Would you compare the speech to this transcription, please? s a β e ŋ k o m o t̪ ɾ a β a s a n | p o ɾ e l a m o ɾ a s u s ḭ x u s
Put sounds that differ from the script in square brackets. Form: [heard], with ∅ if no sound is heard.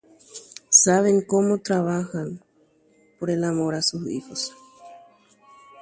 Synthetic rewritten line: s a β e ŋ k o m o t̪ ɾ a β a [x] a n | p o ɾ e l a m o ɾ a s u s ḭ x [o] s